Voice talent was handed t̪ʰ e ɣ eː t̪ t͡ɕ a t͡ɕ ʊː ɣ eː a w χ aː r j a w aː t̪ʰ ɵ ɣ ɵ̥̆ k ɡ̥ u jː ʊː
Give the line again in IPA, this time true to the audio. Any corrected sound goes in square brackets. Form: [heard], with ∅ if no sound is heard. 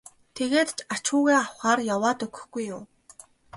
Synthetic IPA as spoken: t̪ʰ e ɣ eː t̪ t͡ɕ a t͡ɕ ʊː ɣ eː a w χ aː r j a w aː [t̪] ɵ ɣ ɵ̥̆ [x] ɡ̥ u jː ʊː